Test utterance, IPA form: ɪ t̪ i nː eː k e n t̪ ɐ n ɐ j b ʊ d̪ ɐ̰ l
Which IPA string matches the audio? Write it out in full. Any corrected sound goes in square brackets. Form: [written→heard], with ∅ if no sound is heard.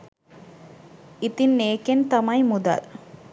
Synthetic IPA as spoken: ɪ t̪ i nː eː k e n t̪ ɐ [n→m] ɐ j [b→m] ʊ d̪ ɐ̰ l